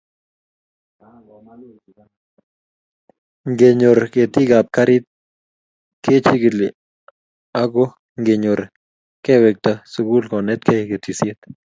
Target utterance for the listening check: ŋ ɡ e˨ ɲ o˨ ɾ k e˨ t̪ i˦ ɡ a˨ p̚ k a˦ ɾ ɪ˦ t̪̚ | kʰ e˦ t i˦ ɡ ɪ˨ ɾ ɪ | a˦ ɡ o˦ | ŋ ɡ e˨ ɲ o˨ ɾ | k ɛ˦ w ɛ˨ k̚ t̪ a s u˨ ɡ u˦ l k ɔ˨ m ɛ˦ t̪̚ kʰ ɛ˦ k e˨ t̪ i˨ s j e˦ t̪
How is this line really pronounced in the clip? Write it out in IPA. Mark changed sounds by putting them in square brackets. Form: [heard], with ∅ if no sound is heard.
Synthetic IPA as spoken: ŋ ɡ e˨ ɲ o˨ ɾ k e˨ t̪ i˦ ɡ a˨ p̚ k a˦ ɾ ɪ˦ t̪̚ | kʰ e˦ [t͡ʃ] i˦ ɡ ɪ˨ [l] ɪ | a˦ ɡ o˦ | ŋ ɡ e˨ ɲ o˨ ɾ | k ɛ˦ w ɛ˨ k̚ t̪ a s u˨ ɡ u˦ l k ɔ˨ [n] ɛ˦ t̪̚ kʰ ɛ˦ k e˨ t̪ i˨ s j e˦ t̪